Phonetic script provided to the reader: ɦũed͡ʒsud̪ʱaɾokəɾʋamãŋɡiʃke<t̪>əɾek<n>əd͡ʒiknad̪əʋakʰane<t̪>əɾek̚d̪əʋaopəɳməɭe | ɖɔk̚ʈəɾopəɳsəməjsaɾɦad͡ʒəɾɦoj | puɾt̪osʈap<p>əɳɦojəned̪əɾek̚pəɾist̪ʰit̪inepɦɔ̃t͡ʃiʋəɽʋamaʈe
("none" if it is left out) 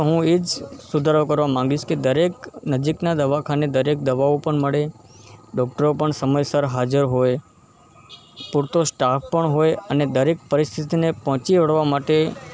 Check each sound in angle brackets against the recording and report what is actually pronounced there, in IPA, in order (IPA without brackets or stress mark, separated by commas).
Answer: d̪, n, d̪, p